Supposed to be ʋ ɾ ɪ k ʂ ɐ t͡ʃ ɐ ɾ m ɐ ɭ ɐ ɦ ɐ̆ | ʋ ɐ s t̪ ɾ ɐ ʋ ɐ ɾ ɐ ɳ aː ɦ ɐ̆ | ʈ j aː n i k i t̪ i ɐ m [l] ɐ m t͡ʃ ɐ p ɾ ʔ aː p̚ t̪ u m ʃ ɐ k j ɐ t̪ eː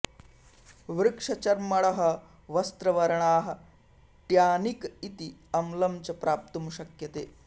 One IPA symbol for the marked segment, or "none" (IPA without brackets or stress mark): l